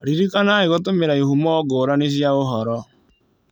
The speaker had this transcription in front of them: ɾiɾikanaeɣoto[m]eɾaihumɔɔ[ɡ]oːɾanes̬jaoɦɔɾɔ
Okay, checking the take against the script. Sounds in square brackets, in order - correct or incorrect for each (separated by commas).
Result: correct, correct